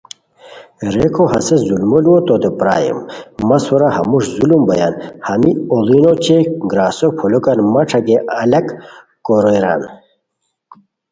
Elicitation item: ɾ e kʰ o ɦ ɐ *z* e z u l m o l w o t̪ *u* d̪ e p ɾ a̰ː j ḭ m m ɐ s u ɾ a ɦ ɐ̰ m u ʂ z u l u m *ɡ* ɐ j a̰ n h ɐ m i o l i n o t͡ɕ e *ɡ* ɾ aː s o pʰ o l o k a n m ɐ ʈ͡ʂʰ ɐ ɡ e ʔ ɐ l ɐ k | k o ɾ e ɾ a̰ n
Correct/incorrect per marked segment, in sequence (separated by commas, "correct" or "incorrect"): incorrect, incorrect, incorrect, correct